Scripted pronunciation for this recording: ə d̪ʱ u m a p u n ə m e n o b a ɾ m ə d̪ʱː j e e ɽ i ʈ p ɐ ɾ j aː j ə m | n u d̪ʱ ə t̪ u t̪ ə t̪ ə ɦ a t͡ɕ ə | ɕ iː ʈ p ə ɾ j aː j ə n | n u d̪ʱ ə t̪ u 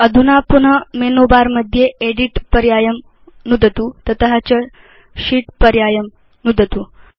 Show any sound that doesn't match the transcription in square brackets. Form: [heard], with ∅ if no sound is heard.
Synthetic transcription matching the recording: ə d̪ʱ u [n] a p u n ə m e n o b a ɾ m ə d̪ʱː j e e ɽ i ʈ p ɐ ɾ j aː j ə m | n u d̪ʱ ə t̪ u t̪ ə t̪ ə ɦ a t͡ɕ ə | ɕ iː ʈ p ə ɾ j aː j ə [m] | n u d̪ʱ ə t̪ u